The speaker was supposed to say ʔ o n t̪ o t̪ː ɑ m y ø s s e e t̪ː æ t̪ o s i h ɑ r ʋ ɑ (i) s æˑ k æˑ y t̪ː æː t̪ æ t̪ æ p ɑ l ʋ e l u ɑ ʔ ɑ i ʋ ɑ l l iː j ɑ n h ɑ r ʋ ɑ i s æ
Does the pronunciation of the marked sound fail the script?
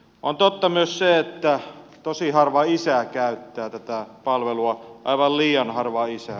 no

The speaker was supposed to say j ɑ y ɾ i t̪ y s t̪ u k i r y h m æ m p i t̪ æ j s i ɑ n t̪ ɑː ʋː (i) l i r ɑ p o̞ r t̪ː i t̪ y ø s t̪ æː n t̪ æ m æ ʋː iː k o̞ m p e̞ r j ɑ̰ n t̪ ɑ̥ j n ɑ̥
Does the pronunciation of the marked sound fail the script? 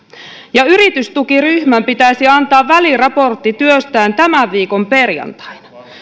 yes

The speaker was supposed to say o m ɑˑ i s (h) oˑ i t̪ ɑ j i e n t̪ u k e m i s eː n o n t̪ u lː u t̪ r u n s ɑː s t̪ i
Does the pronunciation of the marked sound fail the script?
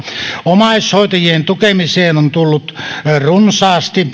no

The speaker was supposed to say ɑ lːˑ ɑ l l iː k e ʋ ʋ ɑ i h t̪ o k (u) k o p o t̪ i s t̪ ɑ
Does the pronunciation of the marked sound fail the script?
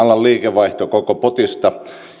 yes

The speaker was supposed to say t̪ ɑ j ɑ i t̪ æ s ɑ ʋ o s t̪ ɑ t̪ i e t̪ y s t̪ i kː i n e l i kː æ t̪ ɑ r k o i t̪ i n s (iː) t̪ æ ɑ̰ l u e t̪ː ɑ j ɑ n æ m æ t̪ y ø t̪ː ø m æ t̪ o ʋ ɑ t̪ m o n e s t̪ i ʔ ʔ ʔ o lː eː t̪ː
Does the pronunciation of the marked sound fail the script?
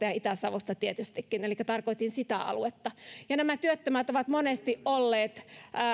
yes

